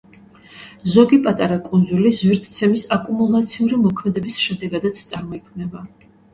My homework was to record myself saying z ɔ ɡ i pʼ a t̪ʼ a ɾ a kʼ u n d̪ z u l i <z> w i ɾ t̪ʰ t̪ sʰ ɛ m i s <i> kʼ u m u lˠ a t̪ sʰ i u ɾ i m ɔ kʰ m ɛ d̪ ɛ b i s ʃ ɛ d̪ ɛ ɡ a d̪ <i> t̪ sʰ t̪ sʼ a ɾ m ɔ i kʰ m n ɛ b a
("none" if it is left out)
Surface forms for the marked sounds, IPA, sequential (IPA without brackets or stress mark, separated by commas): z, a, a